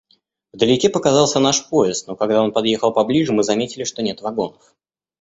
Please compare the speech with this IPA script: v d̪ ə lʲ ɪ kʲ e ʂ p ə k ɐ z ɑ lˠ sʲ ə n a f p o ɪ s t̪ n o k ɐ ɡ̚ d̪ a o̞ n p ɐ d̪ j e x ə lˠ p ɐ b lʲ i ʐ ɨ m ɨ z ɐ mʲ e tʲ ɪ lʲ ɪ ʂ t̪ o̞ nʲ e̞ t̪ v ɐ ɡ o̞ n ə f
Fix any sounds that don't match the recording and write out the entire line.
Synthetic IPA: v d̪ ə lʲ ɪ kʲ e p ə k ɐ z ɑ lˠ sʲ ə n a ʂ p o ɪ s t̪ n o k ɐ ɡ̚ d̪ a o̞ n p ɐ d̪ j e x ə lˠ p ɐ b lʲ i ʐ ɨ m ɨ z ɐ mʲ e tʲ ɪ lʲ ɪ ʂ t̪ o̞ nʲ e̞ t̪ v ɐ ɡ o̞ n ə f